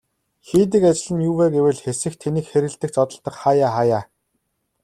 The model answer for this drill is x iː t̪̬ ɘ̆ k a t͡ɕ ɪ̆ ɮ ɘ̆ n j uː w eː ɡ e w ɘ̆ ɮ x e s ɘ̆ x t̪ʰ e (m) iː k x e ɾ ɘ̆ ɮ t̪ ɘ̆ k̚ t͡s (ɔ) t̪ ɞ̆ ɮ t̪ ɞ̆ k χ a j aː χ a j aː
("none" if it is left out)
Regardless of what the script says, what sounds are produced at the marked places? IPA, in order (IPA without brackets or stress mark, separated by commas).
n, ɔ